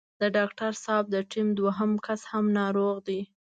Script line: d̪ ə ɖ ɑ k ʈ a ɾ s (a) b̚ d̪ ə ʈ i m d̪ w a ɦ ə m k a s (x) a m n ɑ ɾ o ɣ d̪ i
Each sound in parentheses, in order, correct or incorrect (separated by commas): incorrect, incorrect